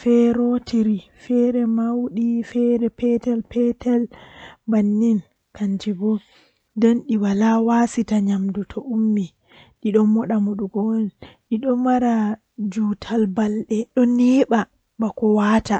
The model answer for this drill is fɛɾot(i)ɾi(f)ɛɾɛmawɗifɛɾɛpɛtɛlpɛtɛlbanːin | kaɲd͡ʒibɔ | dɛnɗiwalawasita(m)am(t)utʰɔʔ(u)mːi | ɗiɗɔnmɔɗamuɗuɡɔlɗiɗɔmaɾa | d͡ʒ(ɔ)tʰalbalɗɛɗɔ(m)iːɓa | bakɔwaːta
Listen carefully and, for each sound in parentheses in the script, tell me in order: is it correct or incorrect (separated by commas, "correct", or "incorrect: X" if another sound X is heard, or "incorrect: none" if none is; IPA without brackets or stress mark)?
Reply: correct, correct, incorrect: ɲ, incorrect: d, correct, incorrect: u, incorrect: n